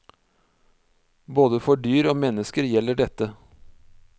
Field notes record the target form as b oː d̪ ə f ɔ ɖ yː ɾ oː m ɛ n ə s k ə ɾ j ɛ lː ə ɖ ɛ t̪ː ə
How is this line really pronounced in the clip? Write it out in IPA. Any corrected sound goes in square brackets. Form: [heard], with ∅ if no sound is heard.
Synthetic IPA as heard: b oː d̪ ə f ɔ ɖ yː ɾ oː m ɛ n ə s k ə ɾ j ɛ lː ə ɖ ɛ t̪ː ə